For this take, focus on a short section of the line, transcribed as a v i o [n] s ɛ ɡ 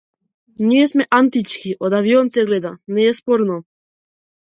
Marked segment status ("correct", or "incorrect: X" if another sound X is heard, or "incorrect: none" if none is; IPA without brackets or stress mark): correct